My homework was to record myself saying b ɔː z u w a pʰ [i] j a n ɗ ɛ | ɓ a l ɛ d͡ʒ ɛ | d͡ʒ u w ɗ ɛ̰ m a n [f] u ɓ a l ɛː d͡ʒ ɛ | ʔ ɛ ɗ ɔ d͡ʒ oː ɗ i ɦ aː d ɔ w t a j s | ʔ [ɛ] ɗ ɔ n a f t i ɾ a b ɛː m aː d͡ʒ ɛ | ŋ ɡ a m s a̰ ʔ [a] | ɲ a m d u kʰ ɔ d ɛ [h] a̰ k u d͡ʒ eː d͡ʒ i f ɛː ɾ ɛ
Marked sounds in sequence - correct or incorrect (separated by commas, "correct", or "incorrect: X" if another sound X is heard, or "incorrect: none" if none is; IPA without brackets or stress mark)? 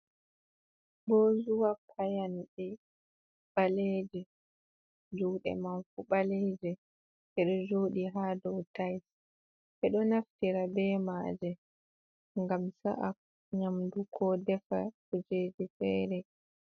incorrect: a, correct, correct, correct, incorrect: f